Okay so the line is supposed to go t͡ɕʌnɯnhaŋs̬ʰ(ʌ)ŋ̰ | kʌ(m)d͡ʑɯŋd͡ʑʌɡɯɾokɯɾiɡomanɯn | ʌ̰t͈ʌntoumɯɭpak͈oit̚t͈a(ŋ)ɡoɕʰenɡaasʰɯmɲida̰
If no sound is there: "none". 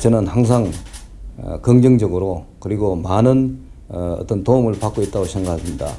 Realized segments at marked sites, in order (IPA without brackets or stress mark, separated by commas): a, ŋ, none